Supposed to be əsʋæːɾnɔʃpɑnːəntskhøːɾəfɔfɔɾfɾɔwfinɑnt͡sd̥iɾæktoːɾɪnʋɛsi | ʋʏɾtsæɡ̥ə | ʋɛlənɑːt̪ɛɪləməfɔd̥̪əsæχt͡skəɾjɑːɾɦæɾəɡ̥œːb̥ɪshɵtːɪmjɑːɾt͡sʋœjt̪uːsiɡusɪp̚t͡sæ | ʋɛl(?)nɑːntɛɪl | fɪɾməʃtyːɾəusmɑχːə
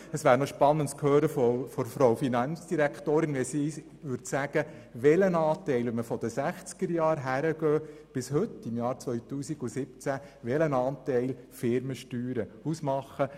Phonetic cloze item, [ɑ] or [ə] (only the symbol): ə